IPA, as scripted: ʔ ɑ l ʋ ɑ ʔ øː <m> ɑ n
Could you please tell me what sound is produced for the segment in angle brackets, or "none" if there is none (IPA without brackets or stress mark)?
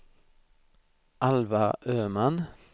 m